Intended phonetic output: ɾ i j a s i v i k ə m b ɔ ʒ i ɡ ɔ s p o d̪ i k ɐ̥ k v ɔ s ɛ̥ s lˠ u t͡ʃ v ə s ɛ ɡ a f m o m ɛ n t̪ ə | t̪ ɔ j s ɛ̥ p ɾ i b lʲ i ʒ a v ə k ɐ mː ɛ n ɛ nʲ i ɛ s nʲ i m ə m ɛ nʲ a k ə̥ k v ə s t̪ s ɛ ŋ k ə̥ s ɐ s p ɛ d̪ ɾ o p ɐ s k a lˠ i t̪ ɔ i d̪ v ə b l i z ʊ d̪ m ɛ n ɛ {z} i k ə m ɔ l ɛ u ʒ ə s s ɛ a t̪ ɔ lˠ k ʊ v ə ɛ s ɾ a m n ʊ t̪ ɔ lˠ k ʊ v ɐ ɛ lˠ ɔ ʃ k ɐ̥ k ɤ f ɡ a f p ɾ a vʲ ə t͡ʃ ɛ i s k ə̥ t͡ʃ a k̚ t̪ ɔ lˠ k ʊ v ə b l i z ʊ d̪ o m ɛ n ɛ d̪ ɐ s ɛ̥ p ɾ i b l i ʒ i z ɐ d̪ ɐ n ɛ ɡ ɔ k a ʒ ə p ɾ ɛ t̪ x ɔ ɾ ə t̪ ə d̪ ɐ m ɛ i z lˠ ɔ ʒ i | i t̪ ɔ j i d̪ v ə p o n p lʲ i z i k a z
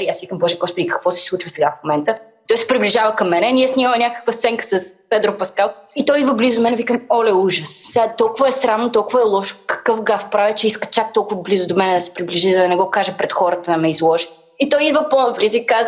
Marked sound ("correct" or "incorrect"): incorrect